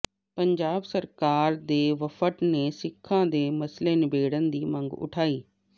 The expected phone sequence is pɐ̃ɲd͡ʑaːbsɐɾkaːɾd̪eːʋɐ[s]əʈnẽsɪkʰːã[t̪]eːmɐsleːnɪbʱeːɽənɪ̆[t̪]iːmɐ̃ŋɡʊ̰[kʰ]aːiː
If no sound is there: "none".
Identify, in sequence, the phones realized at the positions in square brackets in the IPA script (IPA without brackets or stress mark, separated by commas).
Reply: f, d̪, d̪, ʈʰ